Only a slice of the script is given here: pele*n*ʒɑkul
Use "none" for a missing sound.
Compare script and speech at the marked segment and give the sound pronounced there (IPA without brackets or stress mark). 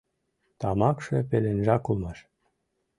n